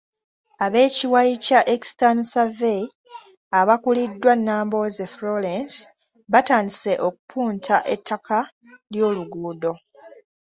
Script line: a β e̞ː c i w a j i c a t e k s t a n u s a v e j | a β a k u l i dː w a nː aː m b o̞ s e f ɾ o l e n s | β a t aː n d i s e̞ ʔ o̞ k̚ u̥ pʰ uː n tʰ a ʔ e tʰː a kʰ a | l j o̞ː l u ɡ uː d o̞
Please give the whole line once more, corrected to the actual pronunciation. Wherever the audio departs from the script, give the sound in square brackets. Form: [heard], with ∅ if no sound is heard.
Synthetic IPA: a β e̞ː c i w a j i c a [ʔ] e k s t a n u s a v e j | a β a k u l i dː w a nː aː m b o̞ [z] e f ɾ o l e n s | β a t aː n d i s e̞ ʔ o̞ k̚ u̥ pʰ uː n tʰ a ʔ e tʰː a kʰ a | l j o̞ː l u ɡ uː d o̞